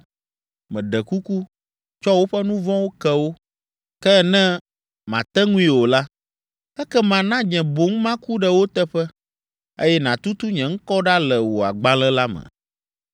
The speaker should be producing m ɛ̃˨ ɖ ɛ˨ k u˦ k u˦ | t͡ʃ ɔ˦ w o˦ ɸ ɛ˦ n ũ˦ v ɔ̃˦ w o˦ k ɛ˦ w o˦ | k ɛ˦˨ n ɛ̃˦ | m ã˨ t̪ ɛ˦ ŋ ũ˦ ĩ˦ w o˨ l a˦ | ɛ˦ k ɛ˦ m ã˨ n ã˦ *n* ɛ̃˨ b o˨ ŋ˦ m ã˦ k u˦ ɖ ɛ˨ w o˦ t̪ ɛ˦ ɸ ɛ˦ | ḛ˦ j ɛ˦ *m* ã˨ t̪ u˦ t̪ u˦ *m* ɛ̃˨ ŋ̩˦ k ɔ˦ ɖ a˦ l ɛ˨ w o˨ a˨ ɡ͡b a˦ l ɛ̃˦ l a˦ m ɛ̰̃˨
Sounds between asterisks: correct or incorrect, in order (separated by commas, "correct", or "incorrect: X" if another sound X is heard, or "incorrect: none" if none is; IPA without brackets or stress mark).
incorrect: ɲ, incorrect: n, incorrect: ɲ